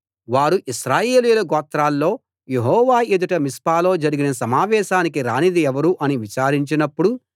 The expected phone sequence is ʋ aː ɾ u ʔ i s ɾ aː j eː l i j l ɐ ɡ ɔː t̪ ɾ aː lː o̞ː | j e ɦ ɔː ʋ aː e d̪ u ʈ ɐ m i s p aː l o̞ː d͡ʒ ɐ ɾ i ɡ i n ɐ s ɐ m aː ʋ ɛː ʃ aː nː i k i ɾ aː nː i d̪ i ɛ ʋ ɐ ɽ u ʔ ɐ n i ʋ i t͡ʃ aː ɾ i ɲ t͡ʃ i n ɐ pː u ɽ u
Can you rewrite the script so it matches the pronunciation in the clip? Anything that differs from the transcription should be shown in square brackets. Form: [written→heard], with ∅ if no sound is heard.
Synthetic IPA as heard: ʋ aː ɾ u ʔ i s ɾ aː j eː l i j l ɐ ɡ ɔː t̪ ɾ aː lː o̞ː | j e ɦ ɔː ʋ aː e d̪ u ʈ ɐ m i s p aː l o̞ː d͡ʒ ɐ ɾ i ɡ i n ɐ s ɐ m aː ʋ ɛː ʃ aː [nː→n] i k i ɾ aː [nː→n] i d̪ i ɛ ʋ ɐ [ɽ→ɾ] u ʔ ɐ n i ʋ i t͡ʃ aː ɾ i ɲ t͡ʃ i n ɐ pː u ɽ u